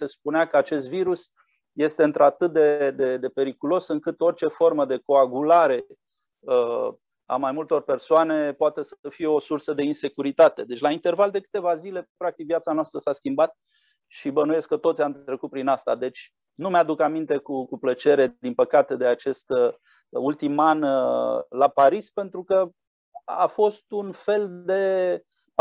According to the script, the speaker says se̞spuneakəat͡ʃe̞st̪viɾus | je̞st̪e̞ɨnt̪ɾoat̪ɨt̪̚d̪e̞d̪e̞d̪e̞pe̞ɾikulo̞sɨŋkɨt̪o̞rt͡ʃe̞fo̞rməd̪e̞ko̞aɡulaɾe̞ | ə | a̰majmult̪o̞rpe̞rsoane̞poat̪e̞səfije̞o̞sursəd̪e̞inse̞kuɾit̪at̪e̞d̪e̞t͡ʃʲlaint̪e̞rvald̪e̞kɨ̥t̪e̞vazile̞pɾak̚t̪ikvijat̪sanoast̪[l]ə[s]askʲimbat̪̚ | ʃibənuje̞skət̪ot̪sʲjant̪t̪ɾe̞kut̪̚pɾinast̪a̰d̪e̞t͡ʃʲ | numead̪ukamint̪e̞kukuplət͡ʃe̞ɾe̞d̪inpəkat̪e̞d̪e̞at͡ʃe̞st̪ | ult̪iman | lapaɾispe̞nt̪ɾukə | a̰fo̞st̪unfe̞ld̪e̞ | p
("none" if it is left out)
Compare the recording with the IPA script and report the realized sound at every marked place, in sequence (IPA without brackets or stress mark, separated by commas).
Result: ɾ, s